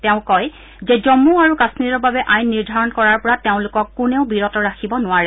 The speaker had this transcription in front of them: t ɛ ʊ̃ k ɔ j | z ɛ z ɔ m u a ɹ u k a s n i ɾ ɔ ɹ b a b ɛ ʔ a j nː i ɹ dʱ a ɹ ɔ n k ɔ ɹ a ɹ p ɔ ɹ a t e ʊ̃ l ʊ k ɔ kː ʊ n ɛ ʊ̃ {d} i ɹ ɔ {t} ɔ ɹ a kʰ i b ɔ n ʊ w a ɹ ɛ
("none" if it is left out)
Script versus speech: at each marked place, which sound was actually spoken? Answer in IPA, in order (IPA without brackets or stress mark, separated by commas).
b, t